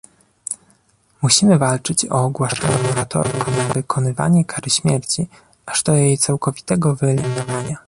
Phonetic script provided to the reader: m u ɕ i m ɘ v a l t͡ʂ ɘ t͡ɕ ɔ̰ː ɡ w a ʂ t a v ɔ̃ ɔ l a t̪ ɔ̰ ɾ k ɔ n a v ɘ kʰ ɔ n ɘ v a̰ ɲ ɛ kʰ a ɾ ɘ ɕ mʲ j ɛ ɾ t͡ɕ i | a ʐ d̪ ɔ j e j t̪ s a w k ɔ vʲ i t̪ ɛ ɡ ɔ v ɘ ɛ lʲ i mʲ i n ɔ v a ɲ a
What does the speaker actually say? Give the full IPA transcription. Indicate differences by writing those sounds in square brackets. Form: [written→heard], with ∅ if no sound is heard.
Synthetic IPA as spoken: m u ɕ i m ɘ v a l t͡ʂ ɘ t͡ɕ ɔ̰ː ɡ w a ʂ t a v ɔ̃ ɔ [l→ɾ] a t̪ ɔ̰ ɾ k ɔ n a v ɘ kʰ ɔ n ɘ v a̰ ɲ ɛ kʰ a ɾ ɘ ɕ mʲ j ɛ ɾ t͡ɕ i | a ʐ d̪ ɔ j e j t̪ s a w k ɔ vʲ i t̪ ɛ ɡ ɔ v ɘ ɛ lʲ i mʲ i n ɔ v a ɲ a